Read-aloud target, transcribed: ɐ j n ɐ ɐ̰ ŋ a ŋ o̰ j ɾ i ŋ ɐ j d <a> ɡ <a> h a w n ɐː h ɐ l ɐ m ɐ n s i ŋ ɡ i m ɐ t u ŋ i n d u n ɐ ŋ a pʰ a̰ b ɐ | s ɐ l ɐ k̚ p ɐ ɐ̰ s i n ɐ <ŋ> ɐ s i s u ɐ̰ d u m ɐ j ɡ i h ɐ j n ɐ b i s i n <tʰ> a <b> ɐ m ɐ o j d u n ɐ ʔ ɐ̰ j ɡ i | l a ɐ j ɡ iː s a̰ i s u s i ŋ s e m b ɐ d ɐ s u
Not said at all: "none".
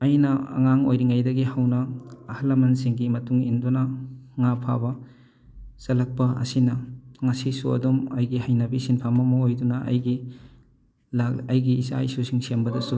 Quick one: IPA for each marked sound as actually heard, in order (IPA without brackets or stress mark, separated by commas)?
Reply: ɐ, i, ŋ, pʰ, m